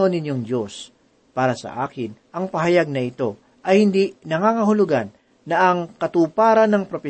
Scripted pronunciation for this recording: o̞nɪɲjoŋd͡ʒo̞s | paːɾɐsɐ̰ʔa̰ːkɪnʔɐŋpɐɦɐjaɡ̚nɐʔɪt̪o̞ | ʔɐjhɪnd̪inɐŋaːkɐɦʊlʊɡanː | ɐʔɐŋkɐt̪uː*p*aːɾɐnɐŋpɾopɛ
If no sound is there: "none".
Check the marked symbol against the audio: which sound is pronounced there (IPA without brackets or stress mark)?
p